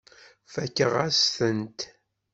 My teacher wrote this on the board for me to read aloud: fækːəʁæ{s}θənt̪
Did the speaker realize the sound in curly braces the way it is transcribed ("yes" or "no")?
yes